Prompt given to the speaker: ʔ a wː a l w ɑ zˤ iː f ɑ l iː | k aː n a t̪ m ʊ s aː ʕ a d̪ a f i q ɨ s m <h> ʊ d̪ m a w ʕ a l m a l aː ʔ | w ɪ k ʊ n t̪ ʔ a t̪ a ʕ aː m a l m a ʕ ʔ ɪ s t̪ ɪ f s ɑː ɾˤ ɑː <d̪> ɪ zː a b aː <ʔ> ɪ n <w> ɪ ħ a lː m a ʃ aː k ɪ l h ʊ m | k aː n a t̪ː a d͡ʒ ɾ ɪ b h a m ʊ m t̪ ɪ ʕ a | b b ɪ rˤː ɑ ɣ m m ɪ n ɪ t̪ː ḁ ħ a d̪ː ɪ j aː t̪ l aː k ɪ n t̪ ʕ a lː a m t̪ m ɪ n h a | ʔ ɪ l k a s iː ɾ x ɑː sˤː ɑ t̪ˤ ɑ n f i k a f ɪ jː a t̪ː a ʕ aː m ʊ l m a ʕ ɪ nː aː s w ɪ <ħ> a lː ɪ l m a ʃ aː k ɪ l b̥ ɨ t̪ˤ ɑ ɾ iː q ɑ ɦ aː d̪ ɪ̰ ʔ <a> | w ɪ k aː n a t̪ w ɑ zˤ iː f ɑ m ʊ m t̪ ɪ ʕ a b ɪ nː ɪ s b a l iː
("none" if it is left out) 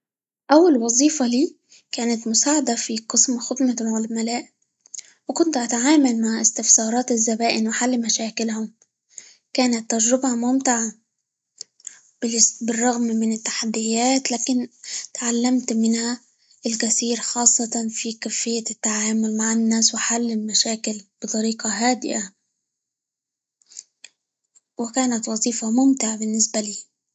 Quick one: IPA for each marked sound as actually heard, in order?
x, t̪, ʔ, w, ħ, a

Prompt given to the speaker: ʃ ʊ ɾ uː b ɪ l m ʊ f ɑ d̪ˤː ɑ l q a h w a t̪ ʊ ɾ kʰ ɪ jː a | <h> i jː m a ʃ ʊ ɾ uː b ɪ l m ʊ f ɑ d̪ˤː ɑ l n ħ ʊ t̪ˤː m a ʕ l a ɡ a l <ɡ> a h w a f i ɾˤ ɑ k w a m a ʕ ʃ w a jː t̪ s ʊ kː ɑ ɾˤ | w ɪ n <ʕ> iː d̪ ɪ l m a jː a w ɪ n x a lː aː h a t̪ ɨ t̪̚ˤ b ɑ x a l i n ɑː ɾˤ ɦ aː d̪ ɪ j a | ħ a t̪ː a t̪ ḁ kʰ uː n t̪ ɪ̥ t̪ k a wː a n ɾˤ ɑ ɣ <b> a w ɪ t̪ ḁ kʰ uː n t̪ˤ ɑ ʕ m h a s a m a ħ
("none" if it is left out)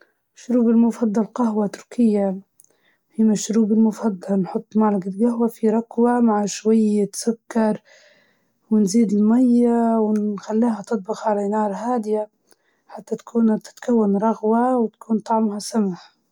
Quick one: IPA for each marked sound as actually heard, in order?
h, ɡ, z, w

